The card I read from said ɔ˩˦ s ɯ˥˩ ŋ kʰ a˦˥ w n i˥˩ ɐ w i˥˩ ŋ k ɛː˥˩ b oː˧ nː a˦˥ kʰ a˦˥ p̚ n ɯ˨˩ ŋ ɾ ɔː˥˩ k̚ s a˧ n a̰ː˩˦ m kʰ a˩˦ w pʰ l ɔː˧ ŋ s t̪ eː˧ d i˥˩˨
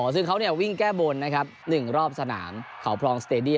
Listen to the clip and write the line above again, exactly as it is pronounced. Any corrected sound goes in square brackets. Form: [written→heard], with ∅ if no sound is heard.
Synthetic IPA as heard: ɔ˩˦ s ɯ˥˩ ŋ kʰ a˦˥ w n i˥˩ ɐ w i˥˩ ŋ k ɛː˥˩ b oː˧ nː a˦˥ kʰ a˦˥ p̚ n ɯ˨˩ ŋ ɾ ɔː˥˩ [k̚→p̚] s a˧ n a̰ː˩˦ m kʰ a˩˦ w pʰ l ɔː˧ ŋ s t̪ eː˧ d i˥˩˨